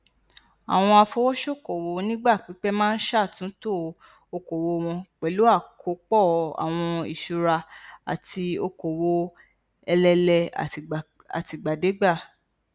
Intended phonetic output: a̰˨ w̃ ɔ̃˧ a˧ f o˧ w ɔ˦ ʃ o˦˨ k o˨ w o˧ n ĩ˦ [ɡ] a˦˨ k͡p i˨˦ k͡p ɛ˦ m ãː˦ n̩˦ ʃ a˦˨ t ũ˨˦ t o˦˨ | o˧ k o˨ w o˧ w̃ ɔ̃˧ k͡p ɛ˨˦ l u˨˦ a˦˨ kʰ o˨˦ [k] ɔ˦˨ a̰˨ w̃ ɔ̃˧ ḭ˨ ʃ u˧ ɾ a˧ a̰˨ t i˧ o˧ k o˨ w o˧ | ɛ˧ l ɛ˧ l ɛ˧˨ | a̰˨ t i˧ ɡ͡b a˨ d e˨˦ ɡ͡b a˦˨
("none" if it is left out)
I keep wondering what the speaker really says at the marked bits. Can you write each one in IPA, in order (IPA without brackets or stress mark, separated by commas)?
ɡ͡b, k͡p